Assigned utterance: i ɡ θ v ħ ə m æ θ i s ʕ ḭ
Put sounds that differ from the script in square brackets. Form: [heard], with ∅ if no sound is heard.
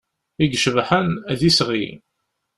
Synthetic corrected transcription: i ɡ [ʃ] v ħ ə [n] æ [ð] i s [ʁ] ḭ